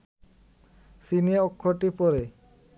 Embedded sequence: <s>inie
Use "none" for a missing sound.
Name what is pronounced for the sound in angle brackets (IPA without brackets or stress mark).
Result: s